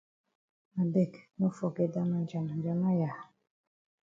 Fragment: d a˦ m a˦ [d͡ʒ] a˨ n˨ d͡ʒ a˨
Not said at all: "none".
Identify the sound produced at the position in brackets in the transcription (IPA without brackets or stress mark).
d͡ʒ